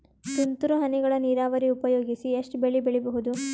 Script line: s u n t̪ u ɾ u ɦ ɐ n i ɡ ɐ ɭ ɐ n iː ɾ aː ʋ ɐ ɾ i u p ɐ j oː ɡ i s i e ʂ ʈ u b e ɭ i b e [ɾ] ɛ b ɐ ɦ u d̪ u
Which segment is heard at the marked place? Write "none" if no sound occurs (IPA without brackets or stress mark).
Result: ɭ